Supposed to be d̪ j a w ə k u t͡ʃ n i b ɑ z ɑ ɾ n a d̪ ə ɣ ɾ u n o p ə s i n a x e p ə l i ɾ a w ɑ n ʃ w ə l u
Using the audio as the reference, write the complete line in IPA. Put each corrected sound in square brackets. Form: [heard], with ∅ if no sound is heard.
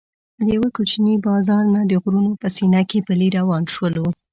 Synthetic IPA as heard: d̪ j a w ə k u t͡ʃ n i b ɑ z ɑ ɾ n a d̪ ə ɣ ɾ u n o p ə s i n a [k] e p ə l i ɾ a w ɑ n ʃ w ə l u

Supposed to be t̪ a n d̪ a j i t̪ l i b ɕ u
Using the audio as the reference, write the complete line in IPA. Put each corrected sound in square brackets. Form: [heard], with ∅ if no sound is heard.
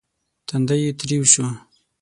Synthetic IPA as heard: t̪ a n d̪ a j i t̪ [ɾ] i [w] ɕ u

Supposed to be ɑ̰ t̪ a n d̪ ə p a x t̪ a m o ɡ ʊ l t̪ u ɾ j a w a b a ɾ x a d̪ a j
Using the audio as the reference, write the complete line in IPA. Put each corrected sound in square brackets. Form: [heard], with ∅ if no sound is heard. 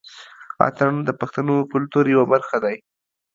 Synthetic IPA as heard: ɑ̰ t̪ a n d̪ ə p a x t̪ a [n] o [k] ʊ l t̪ u ɾ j a w a b a ɾ x a d̪ a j

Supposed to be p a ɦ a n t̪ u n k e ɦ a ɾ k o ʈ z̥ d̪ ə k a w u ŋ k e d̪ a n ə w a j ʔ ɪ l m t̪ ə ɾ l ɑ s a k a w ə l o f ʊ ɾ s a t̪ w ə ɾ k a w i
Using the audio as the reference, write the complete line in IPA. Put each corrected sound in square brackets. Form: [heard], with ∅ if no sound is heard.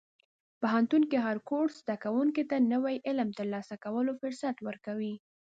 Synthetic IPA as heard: p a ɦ a n t̪ u n k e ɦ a ɾ k o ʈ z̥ d̪ [a] k a w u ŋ k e [t̪] a n ə w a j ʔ ɪ l m t̪ ə ɾ l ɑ s a k a w ə l o f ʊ ɾ s a t̪ w ə ɾ k a w i

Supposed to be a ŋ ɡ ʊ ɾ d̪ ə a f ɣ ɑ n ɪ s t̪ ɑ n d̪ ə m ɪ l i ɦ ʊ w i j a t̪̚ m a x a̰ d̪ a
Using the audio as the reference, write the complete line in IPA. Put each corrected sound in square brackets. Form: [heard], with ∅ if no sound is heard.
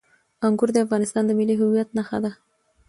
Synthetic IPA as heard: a ŋ ɡ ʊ ɾ d̪ ə a f ɣ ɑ n ɪ s t̪ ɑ n d̪ ə m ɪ l i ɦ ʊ w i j a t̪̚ [n] a x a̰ d̪ a

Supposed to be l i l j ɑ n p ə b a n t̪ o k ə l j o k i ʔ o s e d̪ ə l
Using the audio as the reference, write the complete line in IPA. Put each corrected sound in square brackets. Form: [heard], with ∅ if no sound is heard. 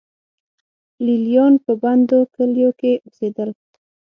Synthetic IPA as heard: l i l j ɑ n p ə b a n [d̪] o k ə l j o k [e] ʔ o s e d̪ ə l

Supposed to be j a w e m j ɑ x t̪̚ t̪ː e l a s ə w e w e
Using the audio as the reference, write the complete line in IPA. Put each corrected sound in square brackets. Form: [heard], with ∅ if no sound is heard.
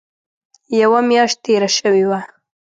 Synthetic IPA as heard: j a w [a] m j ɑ [ʃ] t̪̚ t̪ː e [ɾ] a [ʃ] ə w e w [a]

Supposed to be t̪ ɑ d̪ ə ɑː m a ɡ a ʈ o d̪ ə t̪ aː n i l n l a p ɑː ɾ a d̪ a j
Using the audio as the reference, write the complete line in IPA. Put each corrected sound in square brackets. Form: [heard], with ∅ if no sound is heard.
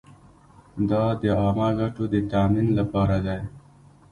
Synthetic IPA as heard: [d̪] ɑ d̪ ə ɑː m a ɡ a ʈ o d̪ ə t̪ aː [m] i [∅] n l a p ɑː ɾ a d̪ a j

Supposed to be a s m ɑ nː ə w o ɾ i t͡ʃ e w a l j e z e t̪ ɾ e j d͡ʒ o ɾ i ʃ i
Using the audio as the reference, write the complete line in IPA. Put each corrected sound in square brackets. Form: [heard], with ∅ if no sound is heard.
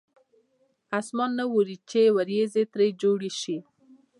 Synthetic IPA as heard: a s m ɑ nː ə w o ɾ i t͡ʃ e w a [ɾ] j e z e t̪ ɾ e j d͡ʒ o [ɽ] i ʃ i

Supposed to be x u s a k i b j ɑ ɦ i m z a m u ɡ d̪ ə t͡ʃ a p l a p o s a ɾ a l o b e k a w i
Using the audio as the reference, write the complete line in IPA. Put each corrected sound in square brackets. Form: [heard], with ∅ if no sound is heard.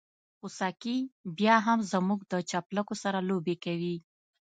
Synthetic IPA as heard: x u s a k i b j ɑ ɦ [a] m z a m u ɡ d̪ ə t͡ʃ a p l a [k] o s a ɾ a l o b e k a w i

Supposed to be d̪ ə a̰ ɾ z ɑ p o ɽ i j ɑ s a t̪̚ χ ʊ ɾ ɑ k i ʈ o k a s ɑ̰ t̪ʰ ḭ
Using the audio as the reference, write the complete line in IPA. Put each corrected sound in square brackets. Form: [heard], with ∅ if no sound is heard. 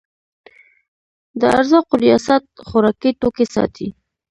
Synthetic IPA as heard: d̪ ə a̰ ɾ z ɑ [q] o [ɾ] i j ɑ s a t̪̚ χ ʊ ɾ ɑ k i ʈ o k [e] s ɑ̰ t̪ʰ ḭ

